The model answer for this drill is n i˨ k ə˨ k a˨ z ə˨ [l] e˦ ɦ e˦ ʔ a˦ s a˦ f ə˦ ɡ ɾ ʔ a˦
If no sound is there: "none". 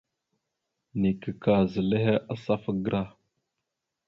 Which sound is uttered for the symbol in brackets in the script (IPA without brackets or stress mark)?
l